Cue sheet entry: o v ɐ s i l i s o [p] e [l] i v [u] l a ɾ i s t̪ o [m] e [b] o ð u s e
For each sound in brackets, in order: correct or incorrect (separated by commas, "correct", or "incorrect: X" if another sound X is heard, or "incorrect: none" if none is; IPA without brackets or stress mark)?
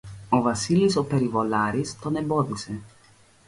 correct, incorrect: ɾ, incorrect: o, incorrect: n, correct